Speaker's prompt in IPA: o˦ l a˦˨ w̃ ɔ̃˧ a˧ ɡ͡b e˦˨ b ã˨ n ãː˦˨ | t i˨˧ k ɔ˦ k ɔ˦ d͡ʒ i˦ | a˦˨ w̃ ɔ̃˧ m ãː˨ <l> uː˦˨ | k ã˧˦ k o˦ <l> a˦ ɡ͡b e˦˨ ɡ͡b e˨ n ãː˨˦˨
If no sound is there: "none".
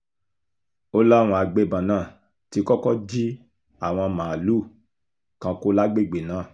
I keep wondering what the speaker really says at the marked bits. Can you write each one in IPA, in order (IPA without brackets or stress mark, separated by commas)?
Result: l, l